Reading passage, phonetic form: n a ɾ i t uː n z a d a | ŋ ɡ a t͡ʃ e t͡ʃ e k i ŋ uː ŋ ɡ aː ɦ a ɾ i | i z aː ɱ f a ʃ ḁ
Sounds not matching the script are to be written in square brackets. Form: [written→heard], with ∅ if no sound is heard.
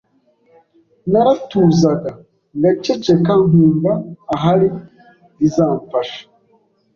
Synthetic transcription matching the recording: n a ɾ [i→a] t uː [n→∅] z a [d→ɡ] a | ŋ ɡ a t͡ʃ e t͡ʃ e k [i→a] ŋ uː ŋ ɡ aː ɦ a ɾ i | i z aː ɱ f a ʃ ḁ